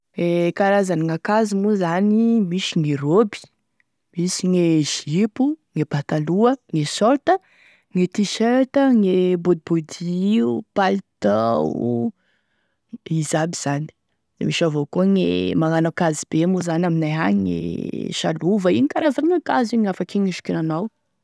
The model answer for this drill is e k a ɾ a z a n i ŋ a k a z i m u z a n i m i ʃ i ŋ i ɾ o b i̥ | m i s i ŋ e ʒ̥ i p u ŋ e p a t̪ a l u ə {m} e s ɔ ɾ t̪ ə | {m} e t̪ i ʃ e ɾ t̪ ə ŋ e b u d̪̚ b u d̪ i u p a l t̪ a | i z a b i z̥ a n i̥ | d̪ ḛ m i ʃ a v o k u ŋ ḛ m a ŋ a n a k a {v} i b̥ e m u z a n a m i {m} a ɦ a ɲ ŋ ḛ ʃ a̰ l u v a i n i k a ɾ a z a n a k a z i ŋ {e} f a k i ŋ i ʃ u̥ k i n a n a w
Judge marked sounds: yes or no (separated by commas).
no, no, no, no, no